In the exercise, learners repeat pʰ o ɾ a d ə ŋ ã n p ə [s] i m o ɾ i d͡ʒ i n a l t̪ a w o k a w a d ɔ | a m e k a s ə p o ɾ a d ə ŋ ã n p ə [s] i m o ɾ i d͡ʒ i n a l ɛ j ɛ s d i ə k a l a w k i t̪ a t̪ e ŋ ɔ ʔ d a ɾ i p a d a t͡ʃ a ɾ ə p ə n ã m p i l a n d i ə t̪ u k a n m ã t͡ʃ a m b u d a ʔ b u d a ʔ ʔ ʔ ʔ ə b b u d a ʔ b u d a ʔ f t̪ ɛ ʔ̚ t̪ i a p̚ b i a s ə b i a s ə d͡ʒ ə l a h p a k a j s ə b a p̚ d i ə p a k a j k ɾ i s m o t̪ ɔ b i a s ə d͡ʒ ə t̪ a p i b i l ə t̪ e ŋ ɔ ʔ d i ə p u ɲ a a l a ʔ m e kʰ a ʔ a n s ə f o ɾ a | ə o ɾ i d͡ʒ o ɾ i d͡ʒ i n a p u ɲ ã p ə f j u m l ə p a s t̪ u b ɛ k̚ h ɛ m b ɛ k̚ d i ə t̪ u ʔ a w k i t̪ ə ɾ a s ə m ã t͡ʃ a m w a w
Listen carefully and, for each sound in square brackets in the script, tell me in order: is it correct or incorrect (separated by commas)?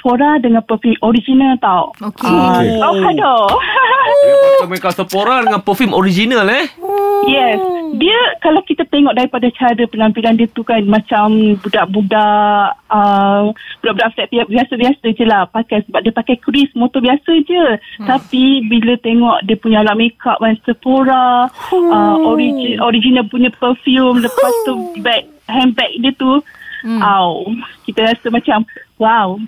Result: incorrect, incorrect